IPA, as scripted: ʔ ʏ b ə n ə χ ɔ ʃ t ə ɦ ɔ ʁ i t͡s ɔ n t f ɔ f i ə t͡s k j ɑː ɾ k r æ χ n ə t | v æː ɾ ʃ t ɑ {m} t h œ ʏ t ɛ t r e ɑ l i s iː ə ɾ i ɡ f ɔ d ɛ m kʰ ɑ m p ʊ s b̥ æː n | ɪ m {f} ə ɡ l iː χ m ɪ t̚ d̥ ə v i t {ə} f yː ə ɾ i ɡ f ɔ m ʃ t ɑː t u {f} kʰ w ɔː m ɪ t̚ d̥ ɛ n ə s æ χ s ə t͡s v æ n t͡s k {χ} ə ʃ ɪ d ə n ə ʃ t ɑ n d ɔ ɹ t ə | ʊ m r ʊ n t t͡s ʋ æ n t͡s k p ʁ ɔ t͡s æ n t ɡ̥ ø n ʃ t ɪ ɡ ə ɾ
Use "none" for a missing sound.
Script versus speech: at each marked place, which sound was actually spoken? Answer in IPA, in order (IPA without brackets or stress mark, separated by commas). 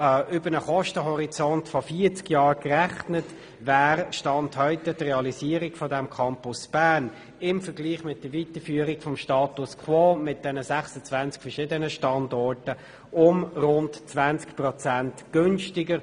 n, f, ə, s, f